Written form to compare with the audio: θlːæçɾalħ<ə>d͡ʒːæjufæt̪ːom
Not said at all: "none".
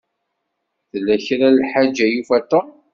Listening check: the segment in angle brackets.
a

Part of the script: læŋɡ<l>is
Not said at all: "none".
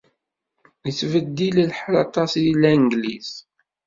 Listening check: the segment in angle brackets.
l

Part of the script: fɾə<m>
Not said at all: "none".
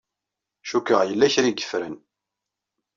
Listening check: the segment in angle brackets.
n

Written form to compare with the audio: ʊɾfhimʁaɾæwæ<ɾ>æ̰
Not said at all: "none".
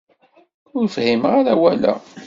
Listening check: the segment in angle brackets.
l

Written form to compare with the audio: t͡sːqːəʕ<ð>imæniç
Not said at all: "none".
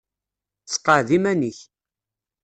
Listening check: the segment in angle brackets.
ð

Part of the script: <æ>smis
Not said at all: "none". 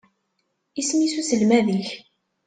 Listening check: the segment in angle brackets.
i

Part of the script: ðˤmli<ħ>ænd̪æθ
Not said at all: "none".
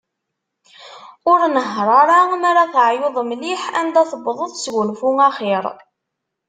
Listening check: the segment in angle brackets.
ħ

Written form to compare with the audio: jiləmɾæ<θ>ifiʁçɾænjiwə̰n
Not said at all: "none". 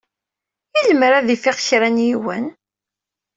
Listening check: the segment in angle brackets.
ð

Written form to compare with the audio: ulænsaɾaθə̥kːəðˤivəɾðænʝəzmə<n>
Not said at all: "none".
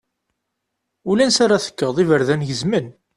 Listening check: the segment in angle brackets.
n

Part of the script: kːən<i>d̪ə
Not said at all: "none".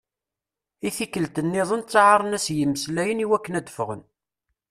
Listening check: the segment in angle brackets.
æ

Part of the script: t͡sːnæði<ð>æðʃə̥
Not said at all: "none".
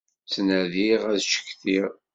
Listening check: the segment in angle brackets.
ʁ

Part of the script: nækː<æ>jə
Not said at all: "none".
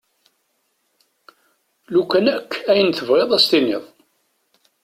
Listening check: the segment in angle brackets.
æ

